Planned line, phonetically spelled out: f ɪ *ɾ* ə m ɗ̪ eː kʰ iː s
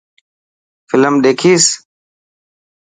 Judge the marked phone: incorrect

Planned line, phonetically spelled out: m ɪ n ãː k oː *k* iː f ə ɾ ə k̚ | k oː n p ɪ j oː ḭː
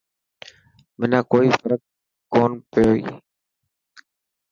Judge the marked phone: incorrect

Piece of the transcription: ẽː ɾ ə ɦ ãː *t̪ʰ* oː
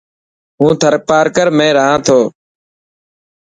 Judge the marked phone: correct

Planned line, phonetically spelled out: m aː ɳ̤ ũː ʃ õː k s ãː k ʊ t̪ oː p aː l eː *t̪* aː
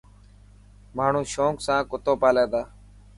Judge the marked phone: incorrect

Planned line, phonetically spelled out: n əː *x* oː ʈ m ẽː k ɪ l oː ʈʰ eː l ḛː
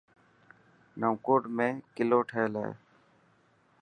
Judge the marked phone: incorrect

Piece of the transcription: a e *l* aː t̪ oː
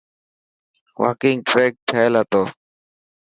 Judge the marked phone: correct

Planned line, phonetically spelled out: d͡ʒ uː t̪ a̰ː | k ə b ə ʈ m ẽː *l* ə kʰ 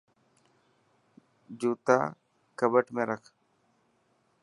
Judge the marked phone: incorrect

